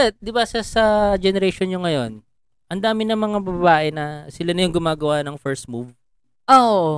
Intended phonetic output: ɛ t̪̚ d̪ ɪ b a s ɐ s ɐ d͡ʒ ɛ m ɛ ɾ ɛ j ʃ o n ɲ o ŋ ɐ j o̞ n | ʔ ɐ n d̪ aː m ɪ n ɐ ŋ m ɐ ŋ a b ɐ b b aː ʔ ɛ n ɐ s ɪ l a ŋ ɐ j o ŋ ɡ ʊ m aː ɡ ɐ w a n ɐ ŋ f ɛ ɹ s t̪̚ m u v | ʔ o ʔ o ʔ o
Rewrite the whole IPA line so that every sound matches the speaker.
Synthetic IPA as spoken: ɛ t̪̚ d̪ ɪ b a s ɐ s ɐ d͡ʒ ɛ n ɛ ɾ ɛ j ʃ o n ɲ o ŋ ɐ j o̞ n | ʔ ɐ n d̪ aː m ɪ n ɐ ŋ m ɐ ŋ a b ɐ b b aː ʔ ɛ n ɐ s ɪ l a n ɐ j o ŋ ɡ ʊ m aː ɡ ɐ w a n ɐ ŋ f ɛ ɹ s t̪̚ m u v | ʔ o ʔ o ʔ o